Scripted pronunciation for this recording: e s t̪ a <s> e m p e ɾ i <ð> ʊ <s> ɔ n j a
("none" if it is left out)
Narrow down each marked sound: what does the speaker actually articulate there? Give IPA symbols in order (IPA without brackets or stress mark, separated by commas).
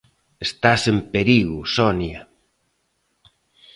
s, ɣ, s